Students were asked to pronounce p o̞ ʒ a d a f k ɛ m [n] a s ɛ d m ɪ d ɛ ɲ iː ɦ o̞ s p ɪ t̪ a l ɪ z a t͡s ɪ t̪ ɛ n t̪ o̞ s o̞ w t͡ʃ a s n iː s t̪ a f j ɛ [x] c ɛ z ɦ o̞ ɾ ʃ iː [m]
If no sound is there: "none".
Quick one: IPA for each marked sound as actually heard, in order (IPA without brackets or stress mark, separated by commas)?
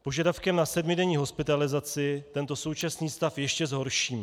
n, ʃ, m